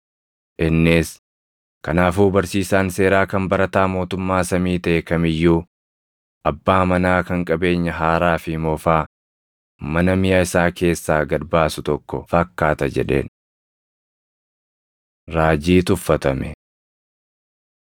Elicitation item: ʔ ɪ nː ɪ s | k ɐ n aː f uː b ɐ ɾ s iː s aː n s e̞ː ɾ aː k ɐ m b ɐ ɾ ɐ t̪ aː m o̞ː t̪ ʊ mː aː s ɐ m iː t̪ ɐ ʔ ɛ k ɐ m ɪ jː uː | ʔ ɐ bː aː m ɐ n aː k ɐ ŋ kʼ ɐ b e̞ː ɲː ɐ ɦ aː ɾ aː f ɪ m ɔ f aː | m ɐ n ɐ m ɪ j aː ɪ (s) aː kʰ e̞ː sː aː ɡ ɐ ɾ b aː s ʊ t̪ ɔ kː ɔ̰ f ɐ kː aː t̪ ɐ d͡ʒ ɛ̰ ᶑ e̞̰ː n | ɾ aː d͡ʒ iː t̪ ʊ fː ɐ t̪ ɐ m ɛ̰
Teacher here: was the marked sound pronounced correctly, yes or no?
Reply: yes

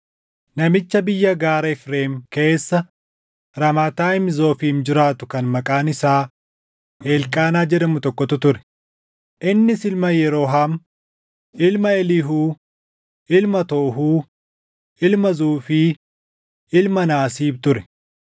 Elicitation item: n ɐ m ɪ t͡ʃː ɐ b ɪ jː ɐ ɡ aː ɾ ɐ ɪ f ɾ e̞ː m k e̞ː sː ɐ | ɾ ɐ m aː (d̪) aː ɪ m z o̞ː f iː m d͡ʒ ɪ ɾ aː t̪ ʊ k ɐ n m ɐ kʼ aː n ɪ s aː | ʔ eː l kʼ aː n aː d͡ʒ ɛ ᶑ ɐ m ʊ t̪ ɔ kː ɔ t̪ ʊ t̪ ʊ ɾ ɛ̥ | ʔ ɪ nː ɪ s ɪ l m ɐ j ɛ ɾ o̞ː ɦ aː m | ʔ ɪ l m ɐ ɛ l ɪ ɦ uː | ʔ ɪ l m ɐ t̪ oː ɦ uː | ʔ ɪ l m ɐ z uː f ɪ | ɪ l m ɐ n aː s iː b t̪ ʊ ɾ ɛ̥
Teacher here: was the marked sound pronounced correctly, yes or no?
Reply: no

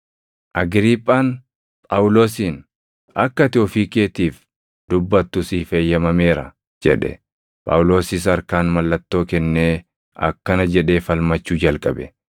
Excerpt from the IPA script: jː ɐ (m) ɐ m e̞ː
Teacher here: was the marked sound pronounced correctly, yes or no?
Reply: yes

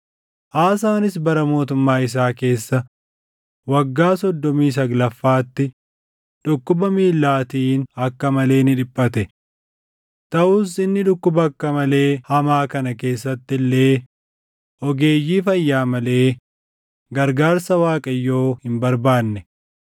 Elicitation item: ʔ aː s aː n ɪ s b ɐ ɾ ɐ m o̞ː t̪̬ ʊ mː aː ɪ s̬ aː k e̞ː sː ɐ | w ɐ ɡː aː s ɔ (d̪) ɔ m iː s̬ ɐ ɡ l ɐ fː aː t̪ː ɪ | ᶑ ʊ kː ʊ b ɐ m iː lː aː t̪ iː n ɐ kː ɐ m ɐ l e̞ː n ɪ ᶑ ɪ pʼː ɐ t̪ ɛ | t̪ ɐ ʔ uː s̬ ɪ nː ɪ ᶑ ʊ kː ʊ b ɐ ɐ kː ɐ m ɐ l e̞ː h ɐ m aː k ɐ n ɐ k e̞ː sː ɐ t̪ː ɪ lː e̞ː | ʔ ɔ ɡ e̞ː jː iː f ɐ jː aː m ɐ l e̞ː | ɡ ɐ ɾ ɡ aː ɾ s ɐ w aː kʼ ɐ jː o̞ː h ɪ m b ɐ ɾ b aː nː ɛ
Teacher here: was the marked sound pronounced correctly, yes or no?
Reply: no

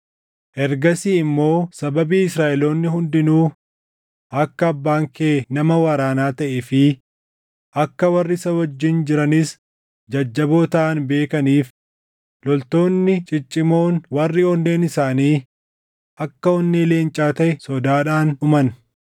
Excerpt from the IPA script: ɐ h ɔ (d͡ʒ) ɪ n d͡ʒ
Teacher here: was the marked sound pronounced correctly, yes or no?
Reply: no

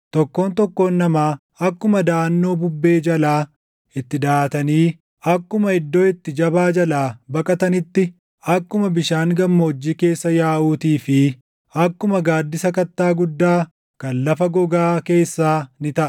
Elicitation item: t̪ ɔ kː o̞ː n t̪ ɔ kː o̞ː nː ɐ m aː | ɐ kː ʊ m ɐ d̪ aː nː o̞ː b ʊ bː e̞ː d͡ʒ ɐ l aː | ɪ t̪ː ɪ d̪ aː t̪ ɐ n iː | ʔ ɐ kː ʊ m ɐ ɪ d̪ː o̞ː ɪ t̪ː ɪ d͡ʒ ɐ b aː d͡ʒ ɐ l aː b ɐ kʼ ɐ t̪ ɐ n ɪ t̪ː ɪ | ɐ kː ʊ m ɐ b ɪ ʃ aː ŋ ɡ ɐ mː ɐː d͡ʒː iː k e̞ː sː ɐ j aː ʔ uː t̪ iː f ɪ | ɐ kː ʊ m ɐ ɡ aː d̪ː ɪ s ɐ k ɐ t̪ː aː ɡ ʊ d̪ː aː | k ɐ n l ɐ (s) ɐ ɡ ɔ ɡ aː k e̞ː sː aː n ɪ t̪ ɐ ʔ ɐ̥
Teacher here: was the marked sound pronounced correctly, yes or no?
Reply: no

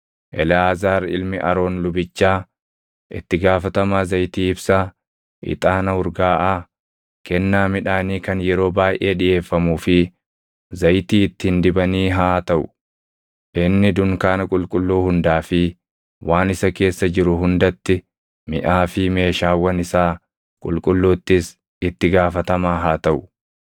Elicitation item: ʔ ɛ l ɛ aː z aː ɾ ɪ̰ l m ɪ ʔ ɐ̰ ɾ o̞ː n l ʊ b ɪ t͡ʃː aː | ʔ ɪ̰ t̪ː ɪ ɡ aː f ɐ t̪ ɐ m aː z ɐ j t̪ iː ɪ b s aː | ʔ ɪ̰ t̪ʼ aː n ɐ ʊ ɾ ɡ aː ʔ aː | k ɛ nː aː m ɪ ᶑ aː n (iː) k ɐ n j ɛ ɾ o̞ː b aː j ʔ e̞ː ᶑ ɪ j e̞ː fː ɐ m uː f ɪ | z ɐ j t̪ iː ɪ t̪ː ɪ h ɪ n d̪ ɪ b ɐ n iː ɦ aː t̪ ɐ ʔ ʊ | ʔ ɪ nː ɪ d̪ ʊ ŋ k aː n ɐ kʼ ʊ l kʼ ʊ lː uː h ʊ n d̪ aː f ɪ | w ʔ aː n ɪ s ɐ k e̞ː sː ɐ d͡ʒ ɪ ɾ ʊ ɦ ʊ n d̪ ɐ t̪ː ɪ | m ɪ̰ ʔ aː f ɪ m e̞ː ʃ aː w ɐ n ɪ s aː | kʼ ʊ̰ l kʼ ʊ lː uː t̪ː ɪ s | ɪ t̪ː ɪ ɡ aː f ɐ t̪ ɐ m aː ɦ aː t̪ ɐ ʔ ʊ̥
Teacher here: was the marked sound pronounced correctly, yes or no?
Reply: yes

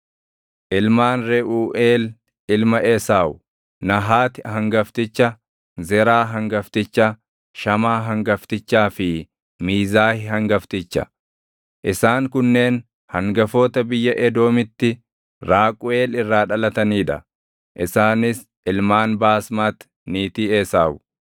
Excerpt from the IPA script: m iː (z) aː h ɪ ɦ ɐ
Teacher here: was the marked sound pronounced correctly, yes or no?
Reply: yes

